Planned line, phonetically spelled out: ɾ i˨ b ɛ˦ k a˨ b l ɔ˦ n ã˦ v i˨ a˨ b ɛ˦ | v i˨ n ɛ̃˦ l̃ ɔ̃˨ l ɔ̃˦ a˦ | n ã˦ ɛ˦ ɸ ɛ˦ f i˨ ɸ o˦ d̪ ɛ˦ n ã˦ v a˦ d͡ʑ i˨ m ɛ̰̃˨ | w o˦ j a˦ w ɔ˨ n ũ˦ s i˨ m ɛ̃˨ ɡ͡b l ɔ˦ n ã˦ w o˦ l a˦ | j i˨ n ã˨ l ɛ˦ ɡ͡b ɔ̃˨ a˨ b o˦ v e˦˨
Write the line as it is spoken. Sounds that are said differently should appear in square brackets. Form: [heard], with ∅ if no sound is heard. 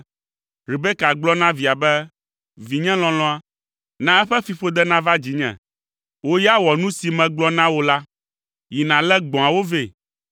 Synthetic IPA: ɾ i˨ b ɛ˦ k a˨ [ɡ͡b] l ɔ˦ n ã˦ v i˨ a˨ b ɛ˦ | v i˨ [ɲ] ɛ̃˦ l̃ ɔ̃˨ l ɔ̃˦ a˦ | n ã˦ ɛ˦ ɸ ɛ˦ f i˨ ɸ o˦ d̪ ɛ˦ n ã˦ v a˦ d͡ʑ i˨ [ɲ] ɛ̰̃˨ | w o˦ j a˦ w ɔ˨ n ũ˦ s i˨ m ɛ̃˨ ɡ͡b l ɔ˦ n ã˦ w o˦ l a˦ | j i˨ n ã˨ l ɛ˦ ɡ͡b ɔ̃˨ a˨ [w] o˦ v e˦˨